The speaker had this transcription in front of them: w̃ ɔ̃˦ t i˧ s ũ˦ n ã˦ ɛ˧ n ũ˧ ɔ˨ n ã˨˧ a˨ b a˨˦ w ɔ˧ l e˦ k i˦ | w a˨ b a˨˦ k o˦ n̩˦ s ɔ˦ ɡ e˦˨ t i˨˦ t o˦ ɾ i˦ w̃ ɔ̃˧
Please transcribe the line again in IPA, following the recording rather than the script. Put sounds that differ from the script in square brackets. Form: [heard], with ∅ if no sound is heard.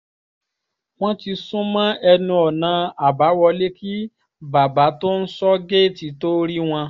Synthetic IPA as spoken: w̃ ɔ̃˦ t i˧ s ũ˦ [m] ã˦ ɛ˧ n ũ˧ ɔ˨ n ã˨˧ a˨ b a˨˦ w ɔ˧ l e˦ k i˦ | [b] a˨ b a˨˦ [t] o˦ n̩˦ s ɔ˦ ɡ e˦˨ t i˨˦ t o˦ ɾ i˦ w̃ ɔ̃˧